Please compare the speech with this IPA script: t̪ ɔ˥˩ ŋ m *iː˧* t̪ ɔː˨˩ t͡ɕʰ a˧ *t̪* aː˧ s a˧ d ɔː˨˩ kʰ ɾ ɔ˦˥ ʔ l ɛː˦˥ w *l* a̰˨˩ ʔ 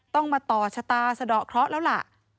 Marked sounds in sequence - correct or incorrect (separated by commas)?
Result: incorrect, correct, correct